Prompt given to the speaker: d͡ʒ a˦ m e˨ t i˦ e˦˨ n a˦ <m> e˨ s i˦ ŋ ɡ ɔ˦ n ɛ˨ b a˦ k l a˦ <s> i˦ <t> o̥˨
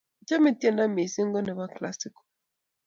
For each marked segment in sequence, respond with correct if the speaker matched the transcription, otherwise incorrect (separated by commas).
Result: correct, correct, incorrect